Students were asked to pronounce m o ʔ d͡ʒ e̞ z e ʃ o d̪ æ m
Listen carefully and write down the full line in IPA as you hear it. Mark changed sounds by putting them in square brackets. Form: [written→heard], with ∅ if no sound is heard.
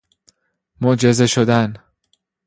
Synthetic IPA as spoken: m o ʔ d͡ʒ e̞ z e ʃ o d̪ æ [m→n]